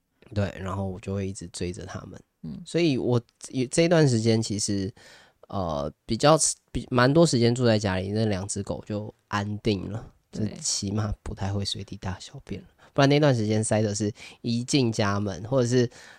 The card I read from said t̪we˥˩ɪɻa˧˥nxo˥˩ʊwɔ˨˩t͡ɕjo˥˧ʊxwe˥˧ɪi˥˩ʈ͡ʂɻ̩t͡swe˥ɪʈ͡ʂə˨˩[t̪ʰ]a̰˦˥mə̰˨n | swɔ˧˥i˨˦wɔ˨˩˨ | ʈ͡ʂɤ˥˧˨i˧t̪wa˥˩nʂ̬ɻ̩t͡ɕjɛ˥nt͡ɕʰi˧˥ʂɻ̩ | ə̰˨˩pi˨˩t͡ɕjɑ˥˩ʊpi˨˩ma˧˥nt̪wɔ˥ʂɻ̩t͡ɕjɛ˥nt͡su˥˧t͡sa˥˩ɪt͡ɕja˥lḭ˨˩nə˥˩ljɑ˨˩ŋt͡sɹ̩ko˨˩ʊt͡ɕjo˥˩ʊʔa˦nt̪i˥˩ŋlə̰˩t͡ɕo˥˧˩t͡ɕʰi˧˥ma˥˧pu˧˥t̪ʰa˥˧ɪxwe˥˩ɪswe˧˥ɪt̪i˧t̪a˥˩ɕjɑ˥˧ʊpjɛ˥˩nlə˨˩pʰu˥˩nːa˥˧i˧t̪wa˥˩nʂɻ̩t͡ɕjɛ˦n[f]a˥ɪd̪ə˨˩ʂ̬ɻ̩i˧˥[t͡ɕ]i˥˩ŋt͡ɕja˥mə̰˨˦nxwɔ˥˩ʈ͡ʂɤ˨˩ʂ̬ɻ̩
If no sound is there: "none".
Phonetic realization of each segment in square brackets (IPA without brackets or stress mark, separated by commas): t̪ʰ, s, t͡ɕ